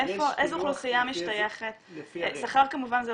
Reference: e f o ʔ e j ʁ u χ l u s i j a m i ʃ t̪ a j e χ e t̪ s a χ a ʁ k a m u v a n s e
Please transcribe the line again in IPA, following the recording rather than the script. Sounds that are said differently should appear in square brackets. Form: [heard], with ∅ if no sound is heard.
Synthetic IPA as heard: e f o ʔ e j [z] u χ l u s i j a m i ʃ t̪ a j e χ e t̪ s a χ a ʁ k a m u v a n [z] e